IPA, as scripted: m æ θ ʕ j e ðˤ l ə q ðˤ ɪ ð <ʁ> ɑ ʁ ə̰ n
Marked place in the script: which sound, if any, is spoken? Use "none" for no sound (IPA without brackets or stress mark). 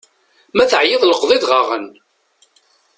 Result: ʁ